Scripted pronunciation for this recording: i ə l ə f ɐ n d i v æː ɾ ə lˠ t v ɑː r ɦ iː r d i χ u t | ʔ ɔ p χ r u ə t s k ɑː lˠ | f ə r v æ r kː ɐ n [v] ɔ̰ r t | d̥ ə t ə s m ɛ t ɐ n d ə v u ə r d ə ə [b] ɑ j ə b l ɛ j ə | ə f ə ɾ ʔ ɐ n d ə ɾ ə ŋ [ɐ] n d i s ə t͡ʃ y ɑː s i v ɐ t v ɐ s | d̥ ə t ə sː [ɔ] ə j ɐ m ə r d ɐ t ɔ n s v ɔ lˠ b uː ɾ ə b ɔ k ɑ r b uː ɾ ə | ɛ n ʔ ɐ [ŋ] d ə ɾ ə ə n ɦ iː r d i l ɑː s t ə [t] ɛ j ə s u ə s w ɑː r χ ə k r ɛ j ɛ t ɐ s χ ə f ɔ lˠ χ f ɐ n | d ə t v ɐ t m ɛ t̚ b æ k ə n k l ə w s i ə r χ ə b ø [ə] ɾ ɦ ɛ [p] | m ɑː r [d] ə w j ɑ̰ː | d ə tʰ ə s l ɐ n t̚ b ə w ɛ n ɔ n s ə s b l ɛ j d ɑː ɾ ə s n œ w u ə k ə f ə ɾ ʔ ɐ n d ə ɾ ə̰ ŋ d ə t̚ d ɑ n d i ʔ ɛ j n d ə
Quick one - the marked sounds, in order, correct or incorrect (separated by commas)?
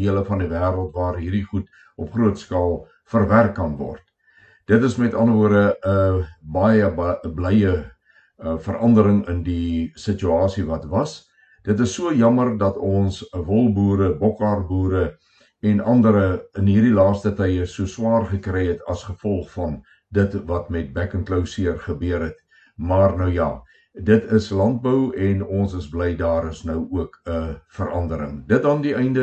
correct, correct, incorrect, incorrect, incorrect, correct, correct, incorrect, incorrect